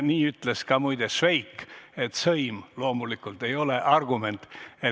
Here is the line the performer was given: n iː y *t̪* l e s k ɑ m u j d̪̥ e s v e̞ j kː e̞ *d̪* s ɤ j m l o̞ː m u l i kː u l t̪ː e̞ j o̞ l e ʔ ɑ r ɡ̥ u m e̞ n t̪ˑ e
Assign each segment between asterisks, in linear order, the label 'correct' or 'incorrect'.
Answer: correct, incorrect

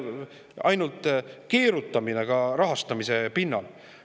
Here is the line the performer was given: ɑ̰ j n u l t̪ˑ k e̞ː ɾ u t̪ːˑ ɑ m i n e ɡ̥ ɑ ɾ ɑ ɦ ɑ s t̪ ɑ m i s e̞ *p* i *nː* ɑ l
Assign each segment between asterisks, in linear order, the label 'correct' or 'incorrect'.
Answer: correct, correct

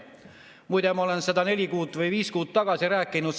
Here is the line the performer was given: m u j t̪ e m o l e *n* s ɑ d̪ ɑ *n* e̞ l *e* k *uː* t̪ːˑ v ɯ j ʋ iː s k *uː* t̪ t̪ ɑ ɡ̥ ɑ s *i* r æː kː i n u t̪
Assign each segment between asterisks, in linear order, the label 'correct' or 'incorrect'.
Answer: correct, correct, incorrect, correct, correct, correct

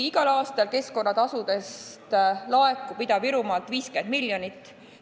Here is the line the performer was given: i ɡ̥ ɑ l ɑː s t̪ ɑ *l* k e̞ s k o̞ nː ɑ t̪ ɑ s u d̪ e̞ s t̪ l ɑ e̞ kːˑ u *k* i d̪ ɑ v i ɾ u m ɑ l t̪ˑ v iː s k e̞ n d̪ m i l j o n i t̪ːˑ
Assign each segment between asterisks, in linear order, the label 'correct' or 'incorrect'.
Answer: correct, incorrect

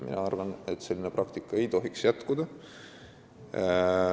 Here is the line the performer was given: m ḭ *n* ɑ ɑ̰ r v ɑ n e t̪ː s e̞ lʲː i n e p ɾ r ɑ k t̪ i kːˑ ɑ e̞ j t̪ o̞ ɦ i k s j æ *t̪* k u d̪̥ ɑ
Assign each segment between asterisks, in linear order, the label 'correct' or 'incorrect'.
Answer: correct, correct

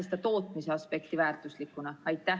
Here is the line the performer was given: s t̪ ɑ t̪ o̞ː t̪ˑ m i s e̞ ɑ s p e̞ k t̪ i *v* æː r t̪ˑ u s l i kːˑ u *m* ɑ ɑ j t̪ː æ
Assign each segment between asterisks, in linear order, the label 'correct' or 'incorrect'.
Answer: correct, incorrect

